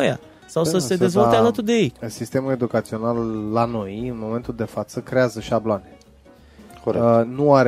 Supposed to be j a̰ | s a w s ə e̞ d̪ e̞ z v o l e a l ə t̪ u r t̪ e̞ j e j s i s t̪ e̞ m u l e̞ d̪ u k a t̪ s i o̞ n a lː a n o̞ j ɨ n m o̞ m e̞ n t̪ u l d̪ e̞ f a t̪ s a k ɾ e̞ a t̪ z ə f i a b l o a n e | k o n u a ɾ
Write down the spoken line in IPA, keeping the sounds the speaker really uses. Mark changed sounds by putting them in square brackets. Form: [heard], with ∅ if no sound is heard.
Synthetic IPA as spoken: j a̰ | s a w s ə e̞ d̪ e̞ z v o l e a l ə t̪ u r [d̪] e̞ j e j s i s t̪ e̞ m u l e̞ d̪ u k a t̪ s i o̞ n a lː a n o̞ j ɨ n m o̞ m e̞ n t̪ u l d̪ e̞ f a t̪ s [ə] k ɾ e̞ a [∅] z ə [ʃ] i a b l o a n e | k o n u a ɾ